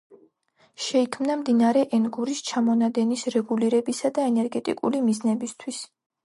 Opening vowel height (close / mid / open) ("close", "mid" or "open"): mid